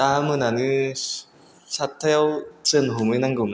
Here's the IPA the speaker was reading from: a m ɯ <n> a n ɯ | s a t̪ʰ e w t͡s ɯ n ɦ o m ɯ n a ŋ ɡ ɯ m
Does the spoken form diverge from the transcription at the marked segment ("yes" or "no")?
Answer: no